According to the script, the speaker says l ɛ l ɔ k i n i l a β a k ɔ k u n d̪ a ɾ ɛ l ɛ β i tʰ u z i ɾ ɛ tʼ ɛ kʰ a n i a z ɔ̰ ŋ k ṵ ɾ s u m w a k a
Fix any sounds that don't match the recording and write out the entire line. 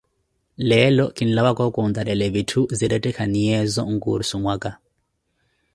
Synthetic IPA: l ɛ l ɔ k i n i l a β a k ɔ k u n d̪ a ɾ ɛ l ɛ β i tʰ u z i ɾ ɛ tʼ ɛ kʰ a n i ɛ z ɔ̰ ŋ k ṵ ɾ s u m w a k a